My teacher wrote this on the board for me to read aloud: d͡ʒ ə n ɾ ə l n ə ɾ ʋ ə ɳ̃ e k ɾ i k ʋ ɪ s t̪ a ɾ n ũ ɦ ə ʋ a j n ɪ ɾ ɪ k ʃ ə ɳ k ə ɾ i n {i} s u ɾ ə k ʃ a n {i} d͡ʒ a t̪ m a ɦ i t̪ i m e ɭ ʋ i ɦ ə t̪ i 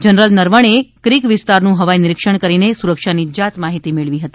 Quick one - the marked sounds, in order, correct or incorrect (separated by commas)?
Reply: incorrect, correct